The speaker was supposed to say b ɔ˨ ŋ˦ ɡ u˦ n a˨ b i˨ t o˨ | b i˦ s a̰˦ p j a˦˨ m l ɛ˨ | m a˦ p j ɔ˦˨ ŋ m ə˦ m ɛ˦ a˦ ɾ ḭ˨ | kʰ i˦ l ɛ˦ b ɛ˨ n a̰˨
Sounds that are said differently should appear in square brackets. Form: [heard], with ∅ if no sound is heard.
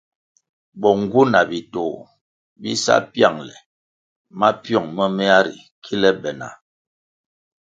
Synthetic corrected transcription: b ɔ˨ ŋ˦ ɡ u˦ n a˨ b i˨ t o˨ | b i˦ s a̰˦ p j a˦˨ [ŋ] l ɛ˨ | m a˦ p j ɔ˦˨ ŋ m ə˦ m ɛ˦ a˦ ɾ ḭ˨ | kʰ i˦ l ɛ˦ b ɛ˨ n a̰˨

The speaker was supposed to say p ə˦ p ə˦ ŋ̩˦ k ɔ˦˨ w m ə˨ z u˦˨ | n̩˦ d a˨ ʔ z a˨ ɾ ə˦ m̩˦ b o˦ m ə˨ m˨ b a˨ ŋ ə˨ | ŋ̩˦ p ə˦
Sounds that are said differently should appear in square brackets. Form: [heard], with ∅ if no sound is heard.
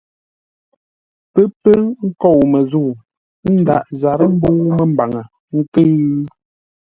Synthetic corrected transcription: p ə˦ p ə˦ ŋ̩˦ k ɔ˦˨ w m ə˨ z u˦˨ | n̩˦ d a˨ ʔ z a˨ ɾ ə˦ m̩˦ b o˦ m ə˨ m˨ b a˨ ŋ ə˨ | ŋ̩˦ [k] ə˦

